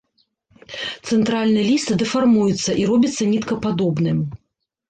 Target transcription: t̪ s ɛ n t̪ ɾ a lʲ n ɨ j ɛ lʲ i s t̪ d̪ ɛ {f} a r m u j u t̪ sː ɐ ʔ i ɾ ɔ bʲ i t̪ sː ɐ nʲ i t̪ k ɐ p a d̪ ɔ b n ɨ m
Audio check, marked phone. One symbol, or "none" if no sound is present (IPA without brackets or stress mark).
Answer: f